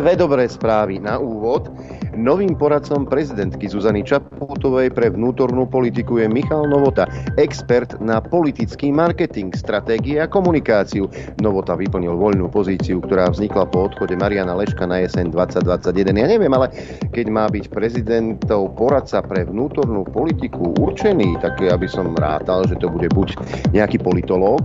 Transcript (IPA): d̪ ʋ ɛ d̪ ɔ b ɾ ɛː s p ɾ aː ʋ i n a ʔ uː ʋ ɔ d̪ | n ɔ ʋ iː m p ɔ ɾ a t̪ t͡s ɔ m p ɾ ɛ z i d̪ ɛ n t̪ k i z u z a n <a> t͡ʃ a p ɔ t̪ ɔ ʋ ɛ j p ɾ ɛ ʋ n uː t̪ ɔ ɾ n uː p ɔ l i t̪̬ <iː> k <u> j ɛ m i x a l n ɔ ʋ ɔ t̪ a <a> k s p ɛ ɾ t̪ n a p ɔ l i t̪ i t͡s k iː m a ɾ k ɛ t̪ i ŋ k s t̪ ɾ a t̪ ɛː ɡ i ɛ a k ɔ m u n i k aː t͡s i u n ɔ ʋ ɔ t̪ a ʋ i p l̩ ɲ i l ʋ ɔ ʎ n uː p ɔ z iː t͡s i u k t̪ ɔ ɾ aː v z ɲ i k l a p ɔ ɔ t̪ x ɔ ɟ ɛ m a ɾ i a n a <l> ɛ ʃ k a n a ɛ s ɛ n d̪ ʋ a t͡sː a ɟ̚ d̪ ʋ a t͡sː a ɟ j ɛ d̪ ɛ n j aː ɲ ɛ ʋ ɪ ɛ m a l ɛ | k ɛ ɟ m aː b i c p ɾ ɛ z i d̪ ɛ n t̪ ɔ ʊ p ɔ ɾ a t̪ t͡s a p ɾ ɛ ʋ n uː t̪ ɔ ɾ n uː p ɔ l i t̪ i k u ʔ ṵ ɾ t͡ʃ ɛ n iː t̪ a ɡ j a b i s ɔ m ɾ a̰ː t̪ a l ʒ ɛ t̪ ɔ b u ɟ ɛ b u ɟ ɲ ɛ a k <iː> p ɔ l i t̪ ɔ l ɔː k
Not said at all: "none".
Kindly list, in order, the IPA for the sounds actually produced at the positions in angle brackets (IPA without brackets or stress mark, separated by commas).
i, i, u, ɛ, l, iː